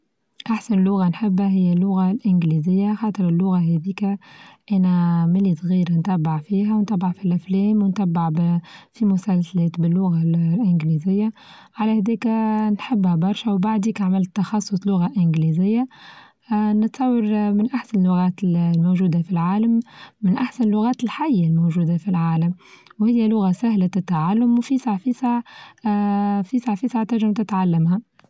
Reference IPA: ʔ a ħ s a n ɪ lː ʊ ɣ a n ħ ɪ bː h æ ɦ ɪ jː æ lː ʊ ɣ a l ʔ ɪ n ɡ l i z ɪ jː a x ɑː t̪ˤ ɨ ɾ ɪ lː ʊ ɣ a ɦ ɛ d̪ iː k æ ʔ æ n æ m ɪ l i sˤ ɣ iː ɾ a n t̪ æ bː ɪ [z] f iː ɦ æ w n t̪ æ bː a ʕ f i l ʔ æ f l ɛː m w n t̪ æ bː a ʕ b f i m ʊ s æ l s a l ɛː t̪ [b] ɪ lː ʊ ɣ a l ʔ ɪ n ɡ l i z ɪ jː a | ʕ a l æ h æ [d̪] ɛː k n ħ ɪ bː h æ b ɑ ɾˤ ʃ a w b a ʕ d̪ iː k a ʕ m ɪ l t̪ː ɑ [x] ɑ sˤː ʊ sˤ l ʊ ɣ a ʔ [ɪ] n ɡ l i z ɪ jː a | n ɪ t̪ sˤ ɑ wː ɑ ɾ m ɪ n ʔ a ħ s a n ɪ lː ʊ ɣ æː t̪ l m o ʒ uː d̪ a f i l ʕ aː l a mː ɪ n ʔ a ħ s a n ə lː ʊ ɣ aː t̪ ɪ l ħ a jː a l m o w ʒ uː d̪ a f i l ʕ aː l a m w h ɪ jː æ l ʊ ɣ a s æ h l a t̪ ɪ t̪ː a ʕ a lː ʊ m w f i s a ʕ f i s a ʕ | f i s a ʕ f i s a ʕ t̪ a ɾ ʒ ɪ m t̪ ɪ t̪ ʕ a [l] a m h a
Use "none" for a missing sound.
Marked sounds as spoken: ʕ, b, d̪, x, ɪ, lː

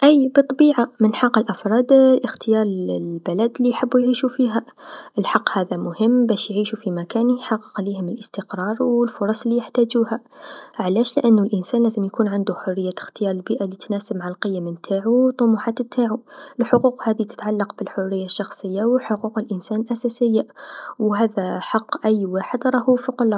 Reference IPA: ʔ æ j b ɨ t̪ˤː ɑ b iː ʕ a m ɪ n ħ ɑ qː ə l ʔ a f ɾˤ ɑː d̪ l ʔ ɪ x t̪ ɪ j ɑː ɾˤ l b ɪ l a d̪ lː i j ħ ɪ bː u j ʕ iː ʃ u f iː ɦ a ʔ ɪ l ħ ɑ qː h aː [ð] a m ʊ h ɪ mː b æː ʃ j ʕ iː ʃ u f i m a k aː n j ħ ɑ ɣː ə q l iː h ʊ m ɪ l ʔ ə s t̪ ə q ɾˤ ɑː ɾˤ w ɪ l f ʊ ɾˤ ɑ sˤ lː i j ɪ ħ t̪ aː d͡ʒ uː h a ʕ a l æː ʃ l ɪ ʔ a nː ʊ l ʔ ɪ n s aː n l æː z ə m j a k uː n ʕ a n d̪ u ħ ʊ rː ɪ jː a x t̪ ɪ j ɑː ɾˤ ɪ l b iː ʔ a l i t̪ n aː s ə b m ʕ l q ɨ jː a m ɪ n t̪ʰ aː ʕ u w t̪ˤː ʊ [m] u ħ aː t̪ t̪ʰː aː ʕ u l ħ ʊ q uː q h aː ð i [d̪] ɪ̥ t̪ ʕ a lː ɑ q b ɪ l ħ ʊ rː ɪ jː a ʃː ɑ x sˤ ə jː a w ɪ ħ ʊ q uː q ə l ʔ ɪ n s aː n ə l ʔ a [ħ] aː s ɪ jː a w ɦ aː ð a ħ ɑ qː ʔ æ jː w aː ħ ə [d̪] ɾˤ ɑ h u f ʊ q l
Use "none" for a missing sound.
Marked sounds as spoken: ð, m, t̪, s, d̪

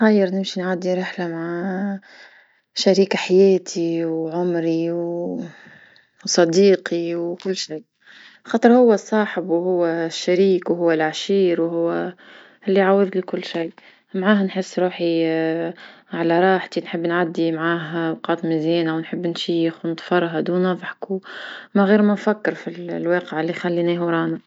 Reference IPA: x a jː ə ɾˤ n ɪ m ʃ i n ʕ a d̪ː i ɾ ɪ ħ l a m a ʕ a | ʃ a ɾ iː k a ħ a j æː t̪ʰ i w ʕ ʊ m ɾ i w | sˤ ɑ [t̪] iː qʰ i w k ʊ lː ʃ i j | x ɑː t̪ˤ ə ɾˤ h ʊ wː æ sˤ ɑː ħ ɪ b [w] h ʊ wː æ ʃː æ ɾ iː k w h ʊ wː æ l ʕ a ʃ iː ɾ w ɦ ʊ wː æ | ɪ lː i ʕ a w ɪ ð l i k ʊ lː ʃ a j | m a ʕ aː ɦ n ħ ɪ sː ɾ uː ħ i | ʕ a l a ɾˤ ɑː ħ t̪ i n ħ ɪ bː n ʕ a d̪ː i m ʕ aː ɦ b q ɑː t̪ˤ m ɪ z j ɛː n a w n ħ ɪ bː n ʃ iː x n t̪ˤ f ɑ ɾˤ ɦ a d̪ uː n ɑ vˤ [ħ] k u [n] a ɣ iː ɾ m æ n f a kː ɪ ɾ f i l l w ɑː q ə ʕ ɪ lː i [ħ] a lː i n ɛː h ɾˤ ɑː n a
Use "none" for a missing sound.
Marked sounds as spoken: d̪, w, ħ, m, x

